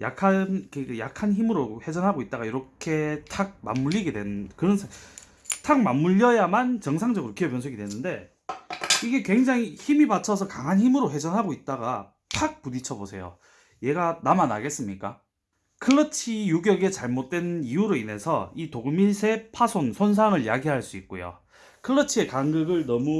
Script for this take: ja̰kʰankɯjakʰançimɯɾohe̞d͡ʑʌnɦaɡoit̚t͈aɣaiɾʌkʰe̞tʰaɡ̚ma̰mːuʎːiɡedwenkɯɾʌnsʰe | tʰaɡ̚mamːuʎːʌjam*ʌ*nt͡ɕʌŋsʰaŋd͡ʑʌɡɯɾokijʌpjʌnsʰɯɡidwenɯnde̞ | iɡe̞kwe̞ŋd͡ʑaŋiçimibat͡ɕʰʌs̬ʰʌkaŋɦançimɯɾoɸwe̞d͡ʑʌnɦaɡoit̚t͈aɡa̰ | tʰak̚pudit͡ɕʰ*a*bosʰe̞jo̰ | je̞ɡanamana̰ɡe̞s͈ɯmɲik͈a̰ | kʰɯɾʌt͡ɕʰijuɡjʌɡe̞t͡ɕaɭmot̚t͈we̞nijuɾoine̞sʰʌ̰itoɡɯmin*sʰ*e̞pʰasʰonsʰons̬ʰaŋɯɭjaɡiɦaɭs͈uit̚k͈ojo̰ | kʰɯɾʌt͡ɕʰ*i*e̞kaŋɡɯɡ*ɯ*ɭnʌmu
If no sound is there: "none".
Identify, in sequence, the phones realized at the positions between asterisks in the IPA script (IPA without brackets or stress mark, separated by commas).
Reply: a, ʌ, sʰ, i, ɯ